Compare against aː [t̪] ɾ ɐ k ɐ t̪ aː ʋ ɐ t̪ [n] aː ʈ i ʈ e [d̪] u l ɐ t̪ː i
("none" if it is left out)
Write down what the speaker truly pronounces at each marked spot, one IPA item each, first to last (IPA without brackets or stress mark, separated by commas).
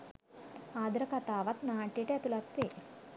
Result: d̪, n, t̪